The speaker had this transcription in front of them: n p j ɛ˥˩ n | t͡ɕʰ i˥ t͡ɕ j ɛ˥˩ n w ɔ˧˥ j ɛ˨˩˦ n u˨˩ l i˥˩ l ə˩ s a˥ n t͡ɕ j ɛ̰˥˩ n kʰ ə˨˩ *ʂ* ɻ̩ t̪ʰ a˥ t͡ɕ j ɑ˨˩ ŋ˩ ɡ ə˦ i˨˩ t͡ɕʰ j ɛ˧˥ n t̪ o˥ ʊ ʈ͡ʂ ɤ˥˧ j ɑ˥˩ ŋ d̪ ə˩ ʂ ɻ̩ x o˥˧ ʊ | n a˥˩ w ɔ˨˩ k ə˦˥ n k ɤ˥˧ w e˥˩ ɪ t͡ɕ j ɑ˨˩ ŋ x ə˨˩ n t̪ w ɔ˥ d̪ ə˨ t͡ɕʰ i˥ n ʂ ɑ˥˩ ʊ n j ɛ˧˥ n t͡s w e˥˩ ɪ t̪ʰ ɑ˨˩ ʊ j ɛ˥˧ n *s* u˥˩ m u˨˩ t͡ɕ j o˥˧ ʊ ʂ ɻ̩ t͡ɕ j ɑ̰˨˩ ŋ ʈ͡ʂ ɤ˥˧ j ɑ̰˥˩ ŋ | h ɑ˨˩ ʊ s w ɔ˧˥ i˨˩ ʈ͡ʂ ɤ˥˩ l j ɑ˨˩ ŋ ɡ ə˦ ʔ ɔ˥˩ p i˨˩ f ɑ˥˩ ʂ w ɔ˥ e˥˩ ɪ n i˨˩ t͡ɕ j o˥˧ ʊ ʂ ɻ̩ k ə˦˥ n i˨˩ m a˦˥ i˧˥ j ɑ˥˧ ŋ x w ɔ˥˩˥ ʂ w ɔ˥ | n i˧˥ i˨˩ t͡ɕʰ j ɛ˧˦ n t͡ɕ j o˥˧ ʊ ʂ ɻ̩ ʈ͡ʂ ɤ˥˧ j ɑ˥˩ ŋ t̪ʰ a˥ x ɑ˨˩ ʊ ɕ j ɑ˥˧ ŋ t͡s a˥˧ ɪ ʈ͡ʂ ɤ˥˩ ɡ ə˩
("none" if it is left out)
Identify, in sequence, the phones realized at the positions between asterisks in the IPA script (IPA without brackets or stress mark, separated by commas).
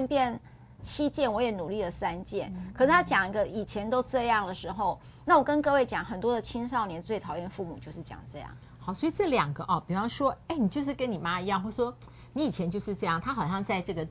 ʂ, f